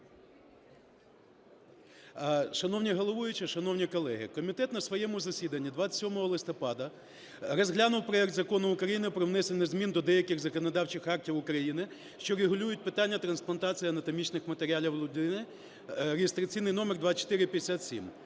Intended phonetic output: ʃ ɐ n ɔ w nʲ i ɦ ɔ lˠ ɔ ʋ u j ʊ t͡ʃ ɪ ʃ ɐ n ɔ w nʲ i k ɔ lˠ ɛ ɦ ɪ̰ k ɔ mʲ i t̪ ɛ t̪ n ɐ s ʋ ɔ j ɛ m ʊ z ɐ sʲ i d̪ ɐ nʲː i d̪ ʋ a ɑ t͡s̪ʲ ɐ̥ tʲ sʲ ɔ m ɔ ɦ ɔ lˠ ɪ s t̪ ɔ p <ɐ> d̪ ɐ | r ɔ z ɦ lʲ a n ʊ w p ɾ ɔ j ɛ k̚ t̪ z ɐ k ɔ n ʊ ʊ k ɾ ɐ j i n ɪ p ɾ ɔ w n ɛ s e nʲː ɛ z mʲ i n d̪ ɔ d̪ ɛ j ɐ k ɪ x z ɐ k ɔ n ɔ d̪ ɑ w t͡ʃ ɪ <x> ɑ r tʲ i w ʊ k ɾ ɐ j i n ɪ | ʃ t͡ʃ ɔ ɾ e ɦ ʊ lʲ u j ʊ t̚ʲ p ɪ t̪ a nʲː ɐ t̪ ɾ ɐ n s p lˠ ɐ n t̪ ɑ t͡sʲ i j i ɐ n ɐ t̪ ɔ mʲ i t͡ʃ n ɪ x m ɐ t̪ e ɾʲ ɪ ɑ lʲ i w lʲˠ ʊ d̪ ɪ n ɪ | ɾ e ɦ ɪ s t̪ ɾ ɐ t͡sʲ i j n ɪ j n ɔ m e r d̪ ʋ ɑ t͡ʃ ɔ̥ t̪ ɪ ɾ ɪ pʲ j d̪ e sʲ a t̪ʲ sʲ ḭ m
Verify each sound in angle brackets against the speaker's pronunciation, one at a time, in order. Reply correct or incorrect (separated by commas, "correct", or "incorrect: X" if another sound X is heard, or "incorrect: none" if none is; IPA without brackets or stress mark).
incorrect: ɑ, correct